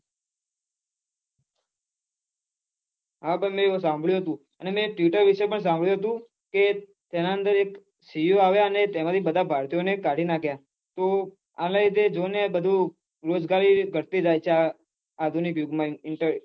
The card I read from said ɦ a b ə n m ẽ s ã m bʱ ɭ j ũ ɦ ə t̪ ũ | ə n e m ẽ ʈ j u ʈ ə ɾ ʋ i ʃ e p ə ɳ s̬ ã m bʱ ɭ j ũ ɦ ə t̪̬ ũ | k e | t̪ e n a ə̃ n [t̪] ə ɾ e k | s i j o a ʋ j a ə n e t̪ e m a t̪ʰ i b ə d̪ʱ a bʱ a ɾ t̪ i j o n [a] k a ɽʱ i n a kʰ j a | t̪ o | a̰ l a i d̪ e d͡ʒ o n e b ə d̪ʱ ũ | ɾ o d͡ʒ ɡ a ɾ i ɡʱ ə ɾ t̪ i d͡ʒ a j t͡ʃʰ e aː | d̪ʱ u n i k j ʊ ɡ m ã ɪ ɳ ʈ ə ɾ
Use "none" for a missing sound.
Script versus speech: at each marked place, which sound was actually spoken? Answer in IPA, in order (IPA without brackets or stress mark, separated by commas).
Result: d̪, e